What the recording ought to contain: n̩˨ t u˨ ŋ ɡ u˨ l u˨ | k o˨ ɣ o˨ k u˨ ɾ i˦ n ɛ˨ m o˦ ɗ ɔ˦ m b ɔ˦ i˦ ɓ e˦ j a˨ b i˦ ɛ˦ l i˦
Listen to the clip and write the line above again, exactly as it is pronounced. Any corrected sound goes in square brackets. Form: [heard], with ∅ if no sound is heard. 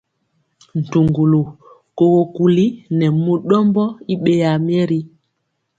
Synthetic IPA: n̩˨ t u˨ ŋ ɡ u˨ l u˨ | k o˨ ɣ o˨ k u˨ [l] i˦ n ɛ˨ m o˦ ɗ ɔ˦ m b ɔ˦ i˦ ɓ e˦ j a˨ [m] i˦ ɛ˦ [ɾ] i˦